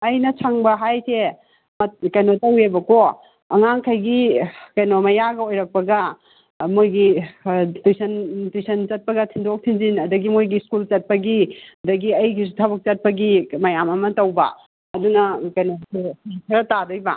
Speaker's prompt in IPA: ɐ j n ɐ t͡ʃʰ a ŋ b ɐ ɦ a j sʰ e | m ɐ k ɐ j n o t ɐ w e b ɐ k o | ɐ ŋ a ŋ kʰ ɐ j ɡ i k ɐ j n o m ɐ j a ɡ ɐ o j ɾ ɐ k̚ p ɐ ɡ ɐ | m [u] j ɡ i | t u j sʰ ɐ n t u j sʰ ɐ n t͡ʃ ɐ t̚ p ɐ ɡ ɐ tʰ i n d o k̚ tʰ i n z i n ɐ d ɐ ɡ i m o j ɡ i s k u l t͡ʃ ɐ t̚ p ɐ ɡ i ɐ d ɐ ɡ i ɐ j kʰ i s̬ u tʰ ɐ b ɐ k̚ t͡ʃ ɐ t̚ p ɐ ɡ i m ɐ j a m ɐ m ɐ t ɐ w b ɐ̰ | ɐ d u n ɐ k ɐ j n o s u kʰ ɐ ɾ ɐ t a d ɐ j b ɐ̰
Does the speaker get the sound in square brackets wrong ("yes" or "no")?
yes